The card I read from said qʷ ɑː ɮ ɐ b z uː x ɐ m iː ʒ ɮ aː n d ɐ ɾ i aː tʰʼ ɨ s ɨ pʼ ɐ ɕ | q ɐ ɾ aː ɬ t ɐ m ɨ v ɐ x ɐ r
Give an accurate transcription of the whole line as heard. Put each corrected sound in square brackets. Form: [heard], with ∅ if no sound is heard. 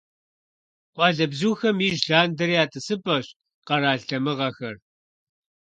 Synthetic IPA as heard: qʷ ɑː ɮ ɐ b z uː x ɐ m iː ʒ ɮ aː n d ɐ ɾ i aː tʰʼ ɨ s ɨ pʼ ɐ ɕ | q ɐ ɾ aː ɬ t ɐ m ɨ [ʁ] ɐ x ɐ r

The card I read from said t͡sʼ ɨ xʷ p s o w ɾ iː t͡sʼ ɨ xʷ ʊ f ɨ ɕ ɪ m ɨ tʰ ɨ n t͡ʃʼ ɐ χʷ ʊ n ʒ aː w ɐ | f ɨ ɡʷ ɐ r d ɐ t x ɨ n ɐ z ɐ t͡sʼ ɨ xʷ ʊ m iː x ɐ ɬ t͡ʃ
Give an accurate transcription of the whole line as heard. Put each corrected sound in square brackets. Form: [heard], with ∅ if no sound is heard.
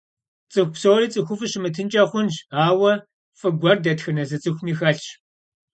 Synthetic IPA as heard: t͡sʼ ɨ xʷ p s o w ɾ iː t͡sʼ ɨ xʷ ʊ f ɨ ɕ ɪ m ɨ tʰ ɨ n t͡ʃʼ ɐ χʷ ʊ n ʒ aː w ɐ | f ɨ ɡʷ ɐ r d ɐ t x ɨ n ɐ z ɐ t͡sʼ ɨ xʷ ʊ m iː x ɐ ɬ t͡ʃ

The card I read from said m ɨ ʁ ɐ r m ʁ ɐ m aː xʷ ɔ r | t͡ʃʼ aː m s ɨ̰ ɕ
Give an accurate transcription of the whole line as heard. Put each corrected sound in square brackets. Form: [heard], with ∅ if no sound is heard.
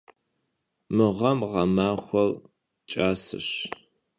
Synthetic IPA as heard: m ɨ ʁ ɐ [∅] m ʁ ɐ m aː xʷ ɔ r | t͡ʃʼ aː [∅] s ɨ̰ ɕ

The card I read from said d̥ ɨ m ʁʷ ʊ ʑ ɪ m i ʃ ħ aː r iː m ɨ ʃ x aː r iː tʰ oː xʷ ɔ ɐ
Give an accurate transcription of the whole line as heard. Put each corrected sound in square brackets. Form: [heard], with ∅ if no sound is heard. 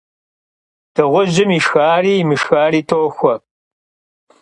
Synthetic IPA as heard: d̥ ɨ [∅] ʁʷ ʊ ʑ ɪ m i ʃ [x] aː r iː m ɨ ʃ x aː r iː tʰ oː xʷ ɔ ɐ

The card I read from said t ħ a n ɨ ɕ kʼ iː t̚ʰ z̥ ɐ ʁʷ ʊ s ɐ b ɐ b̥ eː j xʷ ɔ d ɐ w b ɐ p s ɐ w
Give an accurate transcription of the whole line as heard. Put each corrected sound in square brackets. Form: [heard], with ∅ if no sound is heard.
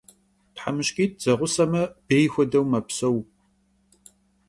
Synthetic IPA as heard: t ħ a [m] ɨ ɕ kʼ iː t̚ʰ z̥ ɐ ʁʷ ʊ s ɐ [m] ɐ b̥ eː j xʷ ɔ d ɐ w [m] ɐ p s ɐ w

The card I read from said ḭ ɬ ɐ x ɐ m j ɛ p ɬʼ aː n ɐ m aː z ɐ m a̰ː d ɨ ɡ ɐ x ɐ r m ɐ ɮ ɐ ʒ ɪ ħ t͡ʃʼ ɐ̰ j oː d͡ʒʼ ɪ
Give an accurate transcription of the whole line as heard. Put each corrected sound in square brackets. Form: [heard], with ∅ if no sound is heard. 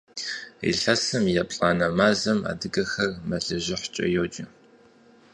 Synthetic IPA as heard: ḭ ɬ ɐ [s] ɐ m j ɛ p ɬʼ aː n ɐ m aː z ɐ m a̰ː d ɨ ɡ ɐ x ɐ r m ɐ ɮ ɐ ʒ ɪ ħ t͡ʃʼ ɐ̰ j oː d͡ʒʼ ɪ

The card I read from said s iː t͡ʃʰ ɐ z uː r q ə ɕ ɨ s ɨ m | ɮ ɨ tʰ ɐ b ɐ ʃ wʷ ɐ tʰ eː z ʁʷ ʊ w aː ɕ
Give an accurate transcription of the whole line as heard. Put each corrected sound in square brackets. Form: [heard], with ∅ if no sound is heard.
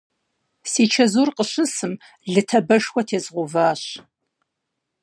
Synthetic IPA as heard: s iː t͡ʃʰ ɐ z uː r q ə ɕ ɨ s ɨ m | ɮ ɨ tʰ ɐ b ɐ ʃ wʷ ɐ tʰ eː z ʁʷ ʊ [v] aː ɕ

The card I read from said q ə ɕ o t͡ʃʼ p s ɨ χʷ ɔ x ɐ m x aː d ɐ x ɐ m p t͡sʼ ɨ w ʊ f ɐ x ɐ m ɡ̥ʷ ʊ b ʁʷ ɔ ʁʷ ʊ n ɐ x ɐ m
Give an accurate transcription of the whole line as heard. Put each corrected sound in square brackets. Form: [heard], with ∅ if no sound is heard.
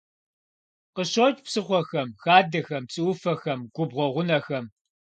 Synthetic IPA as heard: q ə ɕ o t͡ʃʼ p s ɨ χʷ ɔ x ɐ m x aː d ɐ x ɐ m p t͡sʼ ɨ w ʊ f ɐ x ɐ m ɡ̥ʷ ʊ b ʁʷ ɔ ʁʷ ʊ n ɐ x ɐ m

